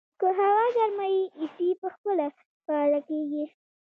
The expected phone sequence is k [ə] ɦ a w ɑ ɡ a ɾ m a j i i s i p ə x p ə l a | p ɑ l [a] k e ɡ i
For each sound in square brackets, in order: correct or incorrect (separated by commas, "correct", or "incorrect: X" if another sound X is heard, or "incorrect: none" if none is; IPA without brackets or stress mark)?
correct, correct